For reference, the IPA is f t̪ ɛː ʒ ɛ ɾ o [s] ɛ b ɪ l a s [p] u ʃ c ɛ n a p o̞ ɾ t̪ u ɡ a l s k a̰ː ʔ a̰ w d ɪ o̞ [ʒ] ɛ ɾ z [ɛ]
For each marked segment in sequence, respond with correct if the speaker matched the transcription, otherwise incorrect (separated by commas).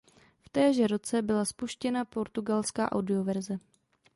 incorrect, correct, incorrect, correct